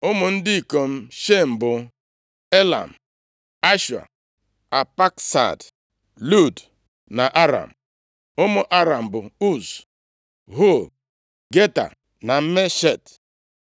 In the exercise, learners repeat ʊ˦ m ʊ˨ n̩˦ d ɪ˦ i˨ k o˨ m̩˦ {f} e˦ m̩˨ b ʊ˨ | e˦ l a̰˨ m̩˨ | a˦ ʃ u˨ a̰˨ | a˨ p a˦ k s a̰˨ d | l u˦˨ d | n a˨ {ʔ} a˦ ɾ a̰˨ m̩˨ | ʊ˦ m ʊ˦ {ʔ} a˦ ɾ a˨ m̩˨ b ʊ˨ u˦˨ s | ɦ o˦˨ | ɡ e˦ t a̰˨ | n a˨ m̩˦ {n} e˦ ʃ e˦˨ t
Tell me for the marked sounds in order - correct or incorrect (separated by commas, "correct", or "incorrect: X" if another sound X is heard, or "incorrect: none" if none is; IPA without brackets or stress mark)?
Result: incorrect: ʃ, correct, correct, incorrect: m